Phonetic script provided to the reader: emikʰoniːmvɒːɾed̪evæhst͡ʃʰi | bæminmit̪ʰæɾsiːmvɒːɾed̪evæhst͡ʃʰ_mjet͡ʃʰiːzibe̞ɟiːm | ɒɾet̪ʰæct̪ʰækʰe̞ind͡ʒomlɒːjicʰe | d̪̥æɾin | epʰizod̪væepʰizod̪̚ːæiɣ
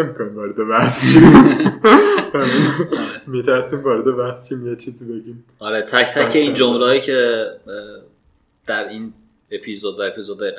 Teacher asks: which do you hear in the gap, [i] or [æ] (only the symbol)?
i